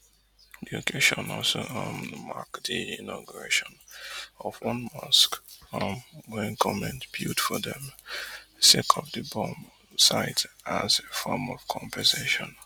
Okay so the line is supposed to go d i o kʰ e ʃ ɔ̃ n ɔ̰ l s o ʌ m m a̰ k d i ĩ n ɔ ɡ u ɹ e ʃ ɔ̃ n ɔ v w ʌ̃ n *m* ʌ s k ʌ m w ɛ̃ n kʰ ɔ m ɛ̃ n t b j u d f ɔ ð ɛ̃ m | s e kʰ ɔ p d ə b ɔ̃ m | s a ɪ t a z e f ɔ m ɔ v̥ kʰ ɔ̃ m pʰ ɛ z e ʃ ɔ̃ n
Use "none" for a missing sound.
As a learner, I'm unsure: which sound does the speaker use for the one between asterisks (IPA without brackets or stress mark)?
m